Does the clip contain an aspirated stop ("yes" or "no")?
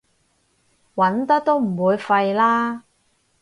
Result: no